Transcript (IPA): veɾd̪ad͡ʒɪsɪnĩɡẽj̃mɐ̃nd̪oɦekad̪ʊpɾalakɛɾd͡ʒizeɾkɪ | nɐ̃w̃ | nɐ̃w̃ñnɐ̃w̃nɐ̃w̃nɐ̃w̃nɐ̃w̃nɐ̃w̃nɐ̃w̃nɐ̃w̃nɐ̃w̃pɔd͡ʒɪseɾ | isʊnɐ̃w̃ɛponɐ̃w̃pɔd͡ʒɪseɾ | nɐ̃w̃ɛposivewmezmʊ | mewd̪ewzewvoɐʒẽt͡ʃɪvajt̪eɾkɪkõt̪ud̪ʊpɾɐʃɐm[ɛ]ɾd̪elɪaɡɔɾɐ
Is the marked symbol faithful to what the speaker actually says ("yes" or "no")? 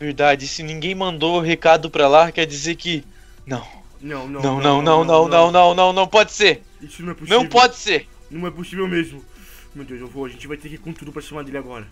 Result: no